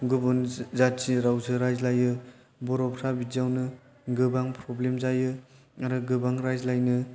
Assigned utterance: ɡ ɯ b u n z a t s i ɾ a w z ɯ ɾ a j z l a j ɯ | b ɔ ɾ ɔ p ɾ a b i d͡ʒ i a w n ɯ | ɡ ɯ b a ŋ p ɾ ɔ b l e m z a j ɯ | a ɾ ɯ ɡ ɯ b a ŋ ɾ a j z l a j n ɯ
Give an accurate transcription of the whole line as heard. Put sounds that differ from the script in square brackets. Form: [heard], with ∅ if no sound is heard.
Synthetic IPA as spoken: ɡ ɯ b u n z a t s i ɾ a w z ɯ ɾ a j z l a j ɯ | b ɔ ɾ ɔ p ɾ a b i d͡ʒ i a w n ɯ | ɡ ɯ b a ŋ p ɾ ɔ b l e m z a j ɯ | a ɾ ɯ ɡ ɯ b a ŋ ɾ a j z l a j n ɯ

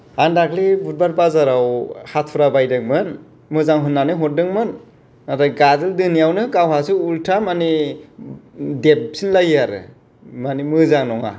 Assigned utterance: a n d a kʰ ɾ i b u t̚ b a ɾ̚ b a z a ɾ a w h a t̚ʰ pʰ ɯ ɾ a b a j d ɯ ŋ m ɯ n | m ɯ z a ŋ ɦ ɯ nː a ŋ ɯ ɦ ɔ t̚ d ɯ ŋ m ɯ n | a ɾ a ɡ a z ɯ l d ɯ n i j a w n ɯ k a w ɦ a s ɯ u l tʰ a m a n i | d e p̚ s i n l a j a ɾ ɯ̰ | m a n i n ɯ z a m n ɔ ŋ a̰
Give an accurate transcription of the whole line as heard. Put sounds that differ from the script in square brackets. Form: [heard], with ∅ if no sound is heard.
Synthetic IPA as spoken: a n d a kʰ [l] i b u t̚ b a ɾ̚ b a z a ɾ a w h a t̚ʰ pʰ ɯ ɾ a b a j d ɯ ŋ m ɯ n | m ɯ z a ŋ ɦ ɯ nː a [n] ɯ ɦ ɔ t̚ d ɯ ŋ m ɯ n | a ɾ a ɡ a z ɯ l d ɯ n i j a w n ɯ k a w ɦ a s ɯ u l tʰ a m a n i | d e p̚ s i n l a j a ɾ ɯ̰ | m a n i [m] ɯ z a [ŋ] n ɔ ŋ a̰

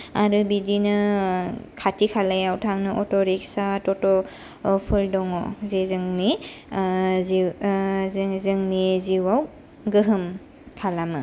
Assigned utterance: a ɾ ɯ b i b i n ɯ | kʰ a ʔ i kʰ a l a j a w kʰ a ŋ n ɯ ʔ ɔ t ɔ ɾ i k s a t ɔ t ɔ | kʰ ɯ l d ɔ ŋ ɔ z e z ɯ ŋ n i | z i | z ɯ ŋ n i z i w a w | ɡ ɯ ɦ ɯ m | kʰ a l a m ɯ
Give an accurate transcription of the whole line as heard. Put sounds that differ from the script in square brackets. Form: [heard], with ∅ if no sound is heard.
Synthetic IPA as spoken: a ɾ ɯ b i [d] i n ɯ | kʰ a [t] i kʰ a l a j a w [tʰ] a ŋ n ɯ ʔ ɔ t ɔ ɾ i k s a t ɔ t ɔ | [pʰ] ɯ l d ɔ ŋ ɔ z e z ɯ ŋ n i | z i | z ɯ ŋ n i z i w a w | ɡ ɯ ɦ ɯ m | kʰ a l a m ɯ

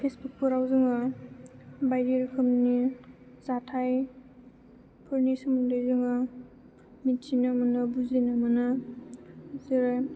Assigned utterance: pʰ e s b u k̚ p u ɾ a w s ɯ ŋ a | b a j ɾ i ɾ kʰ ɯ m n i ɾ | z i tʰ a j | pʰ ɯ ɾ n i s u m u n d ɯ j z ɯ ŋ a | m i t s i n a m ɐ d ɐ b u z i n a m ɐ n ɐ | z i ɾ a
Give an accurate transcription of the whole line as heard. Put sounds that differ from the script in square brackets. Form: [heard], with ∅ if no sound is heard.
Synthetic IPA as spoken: pʰ e s b u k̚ p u ɾ a w [z] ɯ ŋ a | b a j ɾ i ɾ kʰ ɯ m n i [∅] | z [a] tʰ a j | pʰ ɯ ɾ n i s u m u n d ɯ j z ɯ ŋ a | m i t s i n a m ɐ [n] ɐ b u z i n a m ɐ n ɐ | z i ɾ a

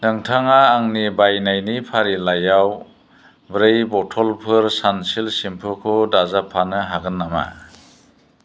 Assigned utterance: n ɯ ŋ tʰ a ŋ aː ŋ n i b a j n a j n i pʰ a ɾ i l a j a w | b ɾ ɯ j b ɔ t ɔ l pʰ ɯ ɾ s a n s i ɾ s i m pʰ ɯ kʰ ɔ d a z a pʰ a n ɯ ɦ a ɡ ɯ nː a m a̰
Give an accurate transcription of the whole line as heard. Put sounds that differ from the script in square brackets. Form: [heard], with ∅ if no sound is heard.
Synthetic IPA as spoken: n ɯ ŋ tʰ a ŋ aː ŋ n i b a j n a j n i pʰ a ɾ i l a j a w | b ɾ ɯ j b ɔ [tʰ] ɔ l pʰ ɯ ɾ s a n s i [l] s i m pʰ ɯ kʰ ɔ d a z a pʰ a n ɯ ɦ a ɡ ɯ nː a m a̰

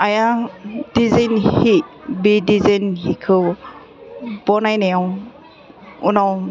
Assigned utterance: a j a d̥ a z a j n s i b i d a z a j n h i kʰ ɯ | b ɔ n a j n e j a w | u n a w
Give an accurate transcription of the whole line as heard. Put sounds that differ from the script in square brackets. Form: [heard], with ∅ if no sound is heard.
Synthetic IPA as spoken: a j a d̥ [i] z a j n [h] i b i d [i] z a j n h i kʰ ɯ | b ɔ n a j n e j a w | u n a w

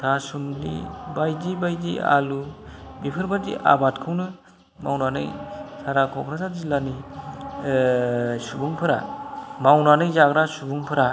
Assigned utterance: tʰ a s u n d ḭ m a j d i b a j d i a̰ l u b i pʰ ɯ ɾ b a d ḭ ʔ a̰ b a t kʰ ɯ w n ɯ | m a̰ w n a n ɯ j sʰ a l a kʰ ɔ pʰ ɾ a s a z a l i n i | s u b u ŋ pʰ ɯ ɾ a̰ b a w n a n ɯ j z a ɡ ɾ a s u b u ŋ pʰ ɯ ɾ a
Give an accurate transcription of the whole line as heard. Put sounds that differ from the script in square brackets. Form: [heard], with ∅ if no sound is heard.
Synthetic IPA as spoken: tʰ a s u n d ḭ [b] a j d i b a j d i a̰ l u b i pʰ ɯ ɾ b a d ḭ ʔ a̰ b a t kʰ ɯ w n ɯ | m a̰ w n a n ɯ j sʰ a [ɾ] a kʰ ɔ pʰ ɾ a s a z [i] l [a] n i | s u b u ŋ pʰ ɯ ɾ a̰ [m] a w n a n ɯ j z a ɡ ɾ a s u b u ŋ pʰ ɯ ɾ a

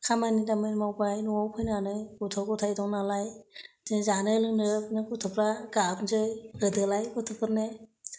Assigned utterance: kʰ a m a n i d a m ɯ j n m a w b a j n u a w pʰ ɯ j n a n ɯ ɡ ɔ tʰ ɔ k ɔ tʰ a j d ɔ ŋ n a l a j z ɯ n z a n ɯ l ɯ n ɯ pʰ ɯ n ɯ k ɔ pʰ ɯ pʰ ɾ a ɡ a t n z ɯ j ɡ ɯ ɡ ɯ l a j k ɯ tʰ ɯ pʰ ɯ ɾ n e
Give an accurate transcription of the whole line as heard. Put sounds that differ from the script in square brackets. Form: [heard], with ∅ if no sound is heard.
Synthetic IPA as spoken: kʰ a m a n i d a m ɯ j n m a w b a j n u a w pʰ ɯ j n a n ɯ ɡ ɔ tʰ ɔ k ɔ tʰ a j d ɔ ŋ n a l a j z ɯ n z a n ɯ l ɯ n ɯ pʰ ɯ n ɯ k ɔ [tʰ] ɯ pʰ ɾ a ɡ a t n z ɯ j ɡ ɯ [d] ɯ l a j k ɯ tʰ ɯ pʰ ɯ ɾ n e

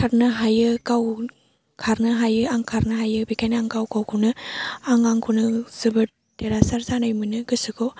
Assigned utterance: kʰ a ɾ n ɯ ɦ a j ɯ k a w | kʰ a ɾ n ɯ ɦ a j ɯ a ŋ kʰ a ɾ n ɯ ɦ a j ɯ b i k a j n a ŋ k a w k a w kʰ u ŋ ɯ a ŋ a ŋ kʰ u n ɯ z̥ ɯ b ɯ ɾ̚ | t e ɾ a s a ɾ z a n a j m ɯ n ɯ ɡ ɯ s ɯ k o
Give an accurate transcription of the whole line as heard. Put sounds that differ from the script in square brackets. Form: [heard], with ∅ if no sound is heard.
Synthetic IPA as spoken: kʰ a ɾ n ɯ ɦ a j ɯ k a w | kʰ a ɾ n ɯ ɦ a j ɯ a ŋ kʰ a ɾ n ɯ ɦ a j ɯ b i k a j n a ŋ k a w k a w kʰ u [n] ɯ a ŋ a ŋ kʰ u n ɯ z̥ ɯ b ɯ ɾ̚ | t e ɾ a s a ɾ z a n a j m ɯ n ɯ ɡ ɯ s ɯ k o

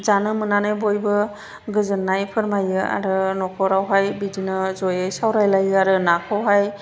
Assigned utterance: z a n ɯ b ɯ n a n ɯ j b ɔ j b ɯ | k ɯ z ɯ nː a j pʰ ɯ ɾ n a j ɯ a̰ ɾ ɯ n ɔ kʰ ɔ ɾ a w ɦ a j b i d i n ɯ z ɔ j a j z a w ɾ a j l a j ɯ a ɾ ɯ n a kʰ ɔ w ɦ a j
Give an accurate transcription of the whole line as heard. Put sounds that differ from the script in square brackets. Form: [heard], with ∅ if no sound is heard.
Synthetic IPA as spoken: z a n ɯ [m] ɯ n a n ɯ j b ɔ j b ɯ | [ɡ] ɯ z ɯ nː a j pʰ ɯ ɾ [m] a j ɯ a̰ ɾ ɯ n ɔ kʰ ɔ ɾ a w ɦ a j b i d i n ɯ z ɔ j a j [s] a w ɾ a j l a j ɯ a ɾ ɯ n a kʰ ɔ w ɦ a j

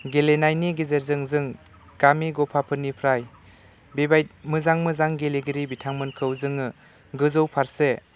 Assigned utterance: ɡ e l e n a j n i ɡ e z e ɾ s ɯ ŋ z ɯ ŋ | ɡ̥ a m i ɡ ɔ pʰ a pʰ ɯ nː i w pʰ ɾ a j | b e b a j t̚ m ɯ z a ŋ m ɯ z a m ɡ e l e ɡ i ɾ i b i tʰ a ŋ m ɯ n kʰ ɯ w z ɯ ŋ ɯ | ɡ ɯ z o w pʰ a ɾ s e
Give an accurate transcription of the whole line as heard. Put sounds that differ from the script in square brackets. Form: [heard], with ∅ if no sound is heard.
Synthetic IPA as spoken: ɡ e l e n a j n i ɡ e z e ɾ [z] ɯ ŋ z ɯ ŋ | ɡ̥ a m i ɡ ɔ pʰ a pʰ ɯ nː i [∅] pʰ ɾ a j | b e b a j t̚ m ɯ z a ŋ m ɯ z a [ŋ] ɡ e l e ɡ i ɾ i b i tʰ a ŋ m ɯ n kʰ ɯ w z ɯ ŋ ɯ | ɡ ɯ z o w pʰ a ɾ s e

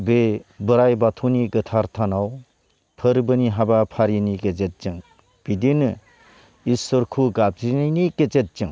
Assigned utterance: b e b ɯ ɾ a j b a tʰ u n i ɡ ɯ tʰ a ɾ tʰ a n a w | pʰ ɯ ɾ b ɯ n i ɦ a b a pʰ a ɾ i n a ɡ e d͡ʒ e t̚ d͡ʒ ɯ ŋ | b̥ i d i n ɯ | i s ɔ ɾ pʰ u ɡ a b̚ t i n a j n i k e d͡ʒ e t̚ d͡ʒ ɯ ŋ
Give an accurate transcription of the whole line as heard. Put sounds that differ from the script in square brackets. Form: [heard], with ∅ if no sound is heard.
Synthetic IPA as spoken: b e b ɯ ɾ a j b a tʰ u n i ɡ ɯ tʰ a ɾ tʰ a n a w | pʰ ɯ ɾ b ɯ n i ɦ a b a pʰ a ɾ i n [i] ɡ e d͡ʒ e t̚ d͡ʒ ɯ ŋ | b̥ i d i n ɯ | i s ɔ ɾ [kʰ] u ɡ a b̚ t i n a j n i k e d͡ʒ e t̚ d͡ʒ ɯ ŋ

